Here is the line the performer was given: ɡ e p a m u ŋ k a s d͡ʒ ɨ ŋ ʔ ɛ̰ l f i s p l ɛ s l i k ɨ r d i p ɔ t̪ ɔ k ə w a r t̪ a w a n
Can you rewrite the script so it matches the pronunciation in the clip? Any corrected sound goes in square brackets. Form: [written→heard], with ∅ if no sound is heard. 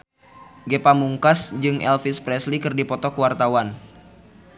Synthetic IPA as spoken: ɡ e p a m u ŋ k a s d͡ʒ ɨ ŋ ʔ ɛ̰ l f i s p [l→ɾ] ɛ s l i k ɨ r d i p ɔ t̪ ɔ k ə w a r t̪ a w a n